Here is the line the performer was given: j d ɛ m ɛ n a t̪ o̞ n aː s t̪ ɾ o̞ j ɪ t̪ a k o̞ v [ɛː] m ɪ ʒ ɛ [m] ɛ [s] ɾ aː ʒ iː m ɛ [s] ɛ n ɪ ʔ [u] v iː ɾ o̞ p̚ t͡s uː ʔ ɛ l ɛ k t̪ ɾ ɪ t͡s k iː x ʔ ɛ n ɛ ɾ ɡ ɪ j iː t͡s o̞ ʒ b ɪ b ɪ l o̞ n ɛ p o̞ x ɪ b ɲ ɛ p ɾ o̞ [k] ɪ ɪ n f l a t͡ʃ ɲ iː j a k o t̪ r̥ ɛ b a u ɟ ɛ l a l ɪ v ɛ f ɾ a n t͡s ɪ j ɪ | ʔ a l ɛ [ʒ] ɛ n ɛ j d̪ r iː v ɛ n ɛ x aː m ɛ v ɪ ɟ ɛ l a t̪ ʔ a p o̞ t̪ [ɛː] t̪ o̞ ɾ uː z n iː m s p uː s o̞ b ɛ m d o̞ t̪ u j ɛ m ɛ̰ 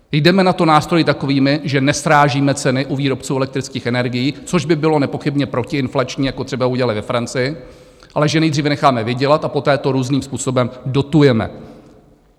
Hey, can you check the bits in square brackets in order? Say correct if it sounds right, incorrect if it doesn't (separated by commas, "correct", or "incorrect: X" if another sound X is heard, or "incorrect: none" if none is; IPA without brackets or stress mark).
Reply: incorrect: iː, incorrect: n, correct, incorrect: t͡s, correct, incorrect: c, correct, correct